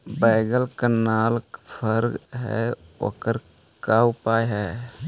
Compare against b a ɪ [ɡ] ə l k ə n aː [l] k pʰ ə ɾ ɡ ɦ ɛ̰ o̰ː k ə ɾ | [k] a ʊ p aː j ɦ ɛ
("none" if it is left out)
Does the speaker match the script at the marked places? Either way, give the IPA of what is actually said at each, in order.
ɡ, l, k

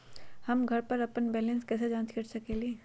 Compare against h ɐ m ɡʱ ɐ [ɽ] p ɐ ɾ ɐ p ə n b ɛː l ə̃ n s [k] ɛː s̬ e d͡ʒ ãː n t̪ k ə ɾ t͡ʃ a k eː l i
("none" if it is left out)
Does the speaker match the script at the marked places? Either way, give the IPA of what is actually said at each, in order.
ɾ, k

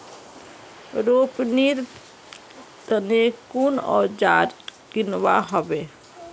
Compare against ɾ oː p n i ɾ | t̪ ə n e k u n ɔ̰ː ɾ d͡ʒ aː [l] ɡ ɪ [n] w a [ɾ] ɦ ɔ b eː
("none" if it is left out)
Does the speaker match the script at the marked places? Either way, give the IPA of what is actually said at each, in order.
ɾ, n, none

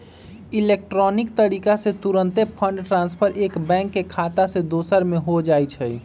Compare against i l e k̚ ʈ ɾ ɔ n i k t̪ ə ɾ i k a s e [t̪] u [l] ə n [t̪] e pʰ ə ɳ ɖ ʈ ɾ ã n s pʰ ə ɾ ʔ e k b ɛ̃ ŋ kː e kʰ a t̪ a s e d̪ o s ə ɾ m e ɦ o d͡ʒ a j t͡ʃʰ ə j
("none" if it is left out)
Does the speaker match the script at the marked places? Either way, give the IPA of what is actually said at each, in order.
t̪, ɾ, t̪

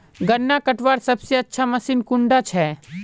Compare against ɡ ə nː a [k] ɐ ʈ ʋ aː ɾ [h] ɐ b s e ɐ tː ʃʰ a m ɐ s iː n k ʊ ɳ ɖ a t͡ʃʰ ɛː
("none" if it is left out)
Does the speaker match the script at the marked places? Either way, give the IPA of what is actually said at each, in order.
k, s

